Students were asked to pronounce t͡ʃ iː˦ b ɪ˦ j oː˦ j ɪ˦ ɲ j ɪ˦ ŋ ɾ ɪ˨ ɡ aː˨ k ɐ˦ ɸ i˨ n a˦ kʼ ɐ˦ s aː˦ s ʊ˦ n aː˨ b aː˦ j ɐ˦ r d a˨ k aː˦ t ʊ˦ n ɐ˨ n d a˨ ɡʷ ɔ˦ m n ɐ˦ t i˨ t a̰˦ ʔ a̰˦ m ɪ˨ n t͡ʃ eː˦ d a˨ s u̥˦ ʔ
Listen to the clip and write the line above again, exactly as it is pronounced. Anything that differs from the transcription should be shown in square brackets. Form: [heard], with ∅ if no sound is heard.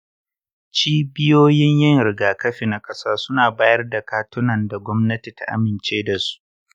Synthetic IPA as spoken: t͡ʃ iː˦ b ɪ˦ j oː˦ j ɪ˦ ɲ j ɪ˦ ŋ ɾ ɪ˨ ɡ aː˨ k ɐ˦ ɸ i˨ n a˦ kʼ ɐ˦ s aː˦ s ʊ˦ n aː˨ b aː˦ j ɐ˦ r d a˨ k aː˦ t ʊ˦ n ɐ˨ n d a˨ ɡʷ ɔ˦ m n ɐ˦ t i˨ t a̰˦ ʔ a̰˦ m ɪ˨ n t͡ʃ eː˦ d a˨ s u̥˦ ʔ